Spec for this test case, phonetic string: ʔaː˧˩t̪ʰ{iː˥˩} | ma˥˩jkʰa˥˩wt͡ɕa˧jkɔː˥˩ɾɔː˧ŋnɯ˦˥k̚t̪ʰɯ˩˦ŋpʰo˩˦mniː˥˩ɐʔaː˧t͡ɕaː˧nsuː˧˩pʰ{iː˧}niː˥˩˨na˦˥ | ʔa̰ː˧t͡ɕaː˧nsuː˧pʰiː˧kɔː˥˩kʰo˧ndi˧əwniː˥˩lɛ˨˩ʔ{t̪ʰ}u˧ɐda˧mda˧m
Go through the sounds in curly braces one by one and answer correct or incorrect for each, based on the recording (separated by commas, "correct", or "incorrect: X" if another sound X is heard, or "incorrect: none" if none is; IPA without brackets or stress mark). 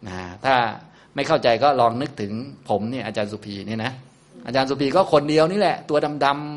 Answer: incorrect: aː˥˩, correct, incorrect: t̪